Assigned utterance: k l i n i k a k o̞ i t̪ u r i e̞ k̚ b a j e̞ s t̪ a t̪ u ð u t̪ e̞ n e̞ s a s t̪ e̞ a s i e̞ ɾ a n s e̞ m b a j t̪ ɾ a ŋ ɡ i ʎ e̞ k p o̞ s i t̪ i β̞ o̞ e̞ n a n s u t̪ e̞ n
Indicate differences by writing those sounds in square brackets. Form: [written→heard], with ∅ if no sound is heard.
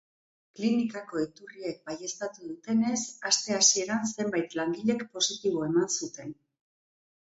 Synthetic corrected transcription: k l i n i k a k o̞ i t̪ u r i e̞ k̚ b a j e̞ s t̪ a t̪ u ð u t̪ e̞ n e̞ s a s t̪ e̞ a s i e̞ ɾ a n s e̞ m b a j t̪ [ɾ→l] a ŋ ɡ i ʎ e̞ k p o̞ s i t̪ i β̞ o̞ e̞ [n→m] a n s u t̪ e̞ n

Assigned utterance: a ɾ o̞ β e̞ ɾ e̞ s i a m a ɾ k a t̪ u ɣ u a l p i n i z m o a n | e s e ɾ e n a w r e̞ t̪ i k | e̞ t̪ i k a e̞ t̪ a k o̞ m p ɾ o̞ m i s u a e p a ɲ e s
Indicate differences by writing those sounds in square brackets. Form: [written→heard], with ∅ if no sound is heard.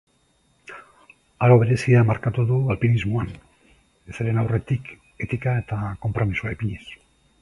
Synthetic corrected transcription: a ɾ o̞ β e̞ ɾ e̞ s i a m a ɾ k a t̪ u [ɣ→ð] u a l p i n i z m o a n | e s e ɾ e n a w r e̞ t̪ i k | e̞ t̪ i k a e̞ t̪ a k o̞ m p ɾ o̞ m i s u a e p [a→i] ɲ e s

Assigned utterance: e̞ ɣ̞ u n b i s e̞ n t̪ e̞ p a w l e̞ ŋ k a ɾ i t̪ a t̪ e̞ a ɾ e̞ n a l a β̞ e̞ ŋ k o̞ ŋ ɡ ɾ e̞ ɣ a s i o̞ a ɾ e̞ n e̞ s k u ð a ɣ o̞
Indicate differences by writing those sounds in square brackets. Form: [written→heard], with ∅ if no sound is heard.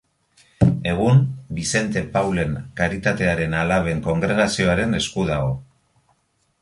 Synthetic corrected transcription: e̞ ɣ̞ u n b i s e̞ n t̪ e̞ p a w l e̞ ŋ k a ɾ i t̪ a t̪ e̞ a ɾ e̞ n a l a β̞ e̞ ŋ k o̞ ŋ ɡ ɾ e̞ ɣ a s i o̞ a ɾ e̞ n e̞ s k u ð a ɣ o̞

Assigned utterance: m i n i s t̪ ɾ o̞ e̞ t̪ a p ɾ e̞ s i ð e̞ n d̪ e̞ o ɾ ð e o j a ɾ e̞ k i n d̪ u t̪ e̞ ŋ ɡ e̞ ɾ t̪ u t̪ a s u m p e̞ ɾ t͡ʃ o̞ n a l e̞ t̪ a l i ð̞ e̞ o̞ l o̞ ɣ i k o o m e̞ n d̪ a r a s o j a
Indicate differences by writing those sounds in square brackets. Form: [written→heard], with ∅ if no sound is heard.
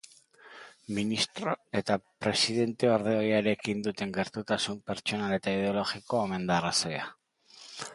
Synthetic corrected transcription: m i n i s t̪ ɾ o̞ e̞ t̪ a p ɾ e̞ s i ð e̞ n [d̪→t̪] e̞ o ɾ ð e o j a ɾ e̞ k i n d̪ u t̪ e̞ ŋ ɡ e̞ ɾ t̪ u t̪ a s u m p e̞ ɾ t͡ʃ o̞ n a l e̞ t̪ a [l→∅] i ð̞ e̞ o̞ l o̞ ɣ i k o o m e̞ n d̪ a r a s o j a

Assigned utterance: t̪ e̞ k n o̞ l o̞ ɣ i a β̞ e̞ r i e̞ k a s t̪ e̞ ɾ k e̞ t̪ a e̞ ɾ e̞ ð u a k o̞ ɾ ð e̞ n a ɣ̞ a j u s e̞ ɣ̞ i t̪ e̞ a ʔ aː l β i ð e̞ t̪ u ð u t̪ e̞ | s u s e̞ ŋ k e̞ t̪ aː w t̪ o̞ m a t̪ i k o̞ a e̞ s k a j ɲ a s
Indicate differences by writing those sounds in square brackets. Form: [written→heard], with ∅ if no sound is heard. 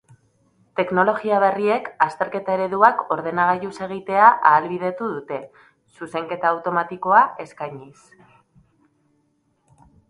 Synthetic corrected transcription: t̪ e̞ k n o̞ l o̞ ɣ i a β̞ e̞ r i e̞ k a s t̪ e̞ ɾ k e̞ t̪ a e̞ ɾ e̞ ð u a k o̞ ɾ ð e̞ n a ɣ̞ a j u s e̞ ɣ̞ i t̪ e̞ a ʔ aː l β i ð e̞ t̪ u ð u t̪ e̞ | s u s e̞ ŋ k e̞ t̪ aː w t̪ o̞ m a t̪ i k o̞ a e̞ s k a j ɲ [a→i] s

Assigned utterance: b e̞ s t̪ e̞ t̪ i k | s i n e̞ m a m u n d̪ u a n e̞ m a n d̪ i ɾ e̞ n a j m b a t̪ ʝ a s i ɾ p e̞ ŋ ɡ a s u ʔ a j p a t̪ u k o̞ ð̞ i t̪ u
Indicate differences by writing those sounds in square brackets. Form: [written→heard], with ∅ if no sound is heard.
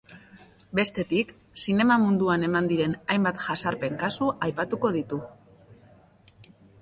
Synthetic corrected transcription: b e̞ s t̪ e̞ t̪ i k | s i n e̞ m a m u n d̪ u a n e̞ m a n d̪ i ɾ e̞ n a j m b a t̪ ʝ a s [i→a] ɾ p e̞ ŋ [ɡ→k] a s u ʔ a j p a t̪ u k o̞ ð̞ i t̪ u

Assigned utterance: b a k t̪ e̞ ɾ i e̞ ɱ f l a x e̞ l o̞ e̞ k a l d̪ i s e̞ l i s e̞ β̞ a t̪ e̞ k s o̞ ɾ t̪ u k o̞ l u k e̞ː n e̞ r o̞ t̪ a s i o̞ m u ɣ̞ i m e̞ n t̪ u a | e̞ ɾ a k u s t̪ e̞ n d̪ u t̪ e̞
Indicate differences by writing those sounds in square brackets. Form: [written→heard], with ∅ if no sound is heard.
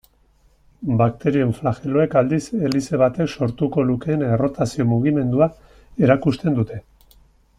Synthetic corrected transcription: b a k t̪ e̞ ɾ i e̞ ɱ f l a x e̞ l o̞ e̞ k a l d̪ i s e̞ l i s e̞ β̞ a t̪ e̞ k s o̞ ɾ t̪ u k o̞ l u k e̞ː n e̞ r o̞ t̪ a s i o̞ m u ɣ̞ i m e̞ n [t̪→d̪] u a | e̞ ɾ a k u s t̪ e̞ n d̪ u t̪ e̞

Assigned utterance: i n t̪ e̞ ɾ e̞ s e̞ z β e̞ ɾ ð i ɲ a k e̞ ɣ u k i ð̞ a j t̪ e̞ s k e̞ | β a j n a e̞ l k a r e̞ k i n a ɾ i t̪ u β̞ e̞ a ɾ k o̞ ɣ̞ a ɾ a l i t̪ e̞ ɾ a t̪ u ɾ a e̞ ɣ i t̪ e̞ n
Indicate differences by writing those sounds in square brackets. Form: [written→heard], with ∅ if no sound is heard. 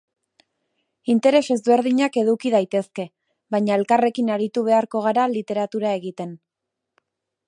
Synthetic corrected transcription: i n t̪ e̞ ɾ e̞ s e̞ z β e̞ ɾ ð i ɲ a k e̞ [ɣ→ð] u k i ð̞ a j t̪ e̞ s k e̞ | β a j [n→ɲ] a e̞ l k a r e̞ k i n a ɾ i t̪ u β̞ e̞ a ɾ k o̞ ɣ̞ a ɾ a l i t̪ e̞ ɾ a t̪ u ɾ a e̞ ɣ i t̪ e̞ n

